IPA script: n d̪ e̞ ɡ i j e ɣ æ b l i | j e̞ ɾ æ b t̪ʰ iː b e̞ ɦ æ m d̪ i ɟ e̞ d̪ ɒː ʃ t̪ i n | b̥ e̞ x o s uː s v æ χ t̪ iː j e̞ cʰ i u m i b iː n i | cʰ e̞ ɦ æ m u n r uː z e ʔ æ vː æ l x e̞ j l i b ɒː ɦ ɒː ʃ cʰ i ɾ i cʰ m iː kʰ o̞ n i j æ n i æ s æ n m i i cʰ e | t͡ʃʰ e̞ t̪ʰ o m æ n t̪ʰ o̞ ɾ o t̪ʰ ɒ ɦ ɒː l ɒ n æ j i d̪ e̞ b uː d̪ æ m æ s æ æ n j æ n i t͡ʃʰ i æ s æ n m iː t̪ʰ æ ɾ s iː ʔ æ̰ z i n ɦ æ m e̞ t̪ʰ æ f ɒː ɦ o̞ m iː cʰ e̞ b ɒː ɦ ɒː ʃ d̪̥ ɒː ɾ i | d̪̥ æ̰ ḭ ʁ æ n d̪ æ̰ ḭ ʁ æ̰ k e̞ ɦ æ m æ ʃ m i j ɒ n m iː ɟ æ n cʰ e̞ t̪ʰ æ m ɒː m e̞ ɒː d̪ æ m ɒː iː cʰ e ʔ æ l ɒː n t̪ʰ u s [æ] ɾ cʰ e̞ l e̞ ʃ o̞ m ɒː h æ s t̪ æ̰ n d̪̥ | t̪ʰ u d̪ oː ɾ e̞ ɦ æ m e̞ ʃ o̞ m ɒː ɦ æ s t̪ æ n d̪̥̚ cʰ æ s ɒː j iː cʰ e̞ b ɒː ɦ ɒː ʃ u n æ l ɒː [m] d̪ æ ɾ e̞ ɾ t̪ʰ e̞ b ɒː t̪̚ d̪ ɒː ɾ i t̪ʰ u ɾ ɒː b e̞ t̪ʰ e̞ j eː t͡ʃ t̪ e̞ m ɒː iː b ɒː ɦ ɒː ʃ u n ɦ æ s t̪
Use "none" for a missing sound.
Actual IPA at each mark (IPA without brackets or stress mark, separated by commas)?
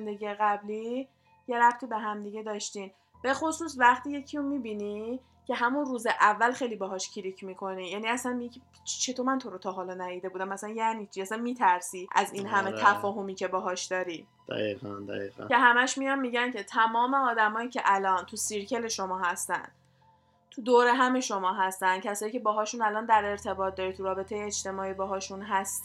i, n